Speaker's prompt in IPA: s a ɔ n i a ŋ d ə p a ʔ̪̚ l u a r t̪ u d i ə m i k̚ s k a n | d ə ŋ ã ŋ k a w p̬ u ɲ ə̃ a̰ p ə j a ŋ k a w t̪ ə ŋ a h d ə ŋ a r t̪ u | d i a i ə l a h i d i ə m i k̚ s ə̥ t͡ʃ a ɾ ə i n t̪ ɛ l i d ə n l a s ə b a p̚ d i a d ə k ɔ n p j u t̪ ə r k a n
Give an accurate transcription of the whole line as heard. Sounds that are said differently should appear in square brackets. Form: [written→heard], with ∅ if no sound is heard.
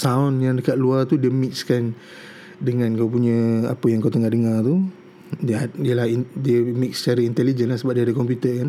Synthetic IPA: s a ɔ n [i→j] a ŋ d ə [p→k] a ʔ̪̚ l u a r t̪ u d i ə m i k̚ s k a n | d ə ŋ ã [ŋ→n] k a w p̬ u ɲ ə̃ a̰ p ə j a ŋ k a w t̪ ə ŋ a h d ə ŋ a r t̪ u | d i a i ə l a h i d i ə m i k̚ s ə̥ t͡ʃ a ɾ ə i n t̪ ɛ l i [d→d͡ʒ] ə n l a s ə b a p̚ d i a d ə k ɔ [n→m] p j u t̪ ə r k a n